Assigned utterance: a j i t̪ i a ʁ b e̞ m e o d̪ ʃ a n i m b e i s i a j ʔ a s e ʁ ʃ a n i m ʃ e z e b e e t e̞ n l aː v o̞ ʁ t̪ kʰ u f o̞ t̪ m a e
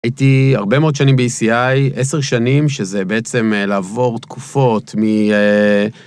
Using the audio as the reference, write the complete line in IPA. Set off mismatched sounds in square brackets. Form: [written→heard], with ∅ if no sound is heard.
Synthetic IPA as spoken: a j i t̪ i a ʁ b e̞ m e o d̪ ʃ a n i m b e i s i a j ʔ [a→e] s e ʁ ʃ a n i m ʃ e z e b e e [t→t͡s] e̞ [n→m] l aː v o̞ ʁ t̪ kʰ u f o̞ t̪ m [a→i] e